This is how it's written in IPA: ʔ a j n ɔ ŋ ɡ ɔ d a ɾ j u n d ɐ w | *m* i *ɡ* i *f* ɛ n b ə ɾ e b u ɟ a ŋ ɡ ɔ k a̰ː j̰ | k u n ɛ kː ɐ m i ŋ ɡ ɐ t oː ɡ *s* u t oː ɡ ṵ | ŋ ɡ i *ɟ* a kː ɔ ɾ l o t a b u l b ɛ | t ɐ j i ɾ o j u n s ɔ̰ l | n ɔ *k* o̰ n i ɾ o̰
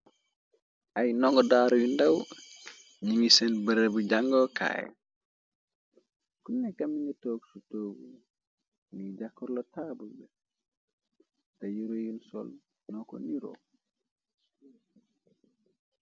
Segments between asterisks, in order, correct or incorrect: incorrect: ɲ, incorrect: ŋ, incorrect: s, correct, correct, correct

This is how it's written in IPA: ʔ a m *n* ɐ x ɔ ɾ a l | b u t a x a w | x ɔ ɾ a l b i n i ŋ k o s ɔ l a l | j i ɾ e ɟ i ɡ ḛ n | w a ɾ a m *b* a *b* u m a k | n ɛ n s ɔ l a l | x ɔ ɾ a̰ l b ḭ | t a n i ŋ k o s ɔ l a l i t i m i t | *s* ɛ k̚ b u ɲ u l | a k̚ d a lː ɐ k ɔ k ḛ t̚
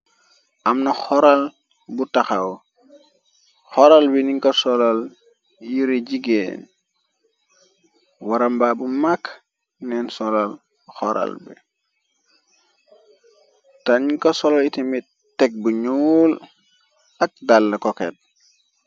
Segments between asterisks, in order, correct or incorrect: correct, correct, correct, incorrect: t

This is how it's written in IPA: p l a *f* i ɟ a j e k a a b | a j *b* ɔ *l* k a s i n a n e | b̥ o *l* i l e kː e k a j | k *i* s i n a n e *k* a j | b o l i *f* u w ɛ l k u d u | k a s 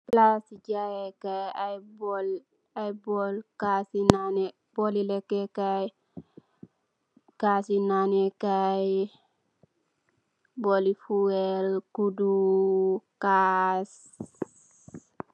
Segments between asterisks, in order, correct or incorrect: incorrect: s, correct, correct, correct, incorrect: a, correct, correct

